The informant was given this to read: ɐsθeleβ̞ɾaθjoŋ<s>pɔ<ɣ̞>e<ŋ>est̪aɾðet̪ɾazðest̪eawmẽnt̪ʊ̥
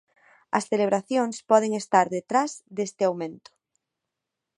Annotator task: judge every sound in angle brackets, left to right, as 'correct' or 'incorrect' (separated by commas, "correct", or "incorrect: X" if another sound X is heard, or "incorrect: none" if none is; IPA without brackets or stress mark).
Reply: correct, incorrect: ð̞, correct